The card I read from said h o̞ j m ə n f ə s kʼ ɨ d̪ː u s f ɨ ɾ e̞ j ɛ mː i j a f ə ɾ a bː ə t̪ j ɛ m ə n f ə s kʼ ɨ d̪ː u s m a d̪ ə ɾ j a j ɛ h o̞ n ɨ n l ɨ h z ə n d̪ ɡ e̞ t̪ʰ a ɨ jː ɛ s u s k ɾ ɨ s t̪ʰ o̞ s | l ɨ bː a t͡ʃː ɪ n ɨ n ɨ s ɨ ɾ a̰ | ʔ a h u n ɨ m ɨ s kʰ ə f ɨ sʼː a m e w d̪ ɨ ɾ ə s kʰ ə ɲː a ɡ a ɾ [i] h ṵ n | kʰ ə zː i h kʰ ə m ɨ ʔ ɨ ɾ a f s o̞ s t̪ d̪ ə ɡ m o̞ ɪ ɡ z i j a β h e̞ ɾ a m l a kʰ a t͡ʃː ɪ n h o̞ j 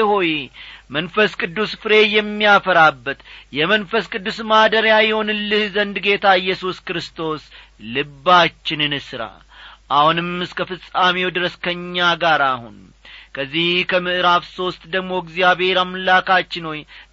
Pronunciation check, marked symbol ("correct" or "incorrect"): incorrect